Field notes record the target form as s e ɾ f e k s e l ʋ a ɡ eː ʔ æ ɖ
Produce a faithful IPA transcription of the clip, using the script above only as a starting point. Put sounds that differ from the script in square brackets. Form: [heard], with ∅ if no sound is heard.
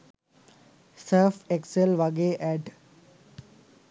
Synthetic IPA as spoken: s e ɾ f e k s e l ʋ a ɡ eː ʔ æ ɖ